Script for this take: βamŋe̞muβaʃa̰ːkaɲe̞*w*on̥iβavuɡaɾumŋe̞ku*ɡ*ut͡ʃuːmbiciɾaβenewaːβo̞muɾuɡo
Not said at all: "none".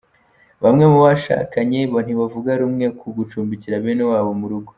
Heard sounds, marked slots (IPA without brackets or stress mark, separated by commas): β, ɡ